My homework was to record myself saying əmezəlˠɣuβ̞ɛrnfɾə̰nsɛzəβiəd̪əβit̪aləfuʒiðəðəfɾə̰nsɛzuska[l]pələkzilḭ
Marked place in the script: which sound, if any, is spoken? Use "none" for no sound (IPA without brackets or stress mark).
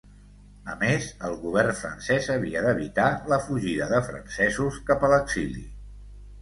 none